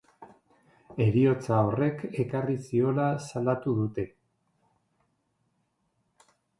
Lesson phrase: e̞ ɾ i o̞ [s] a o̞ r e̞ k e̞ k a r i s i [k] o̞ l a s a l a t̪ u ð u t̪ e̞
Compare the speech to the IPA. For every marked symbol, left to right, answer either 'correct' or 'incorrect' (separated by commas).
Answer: incorrect, incorrect